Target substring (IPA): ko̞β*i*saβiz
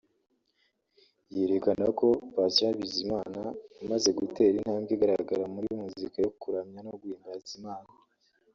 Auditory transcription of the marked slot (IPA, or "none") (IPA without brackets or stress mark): a